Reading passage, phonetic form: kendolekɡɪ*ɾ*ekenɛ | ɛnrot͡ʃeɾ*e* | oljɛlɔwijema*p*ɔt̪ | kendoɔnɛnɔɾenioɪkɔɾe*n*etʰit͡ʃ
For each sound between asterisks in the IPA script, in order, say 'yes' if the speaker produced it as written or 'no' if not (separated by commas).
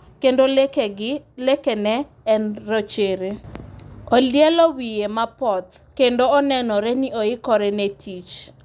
no, yes, yes, yes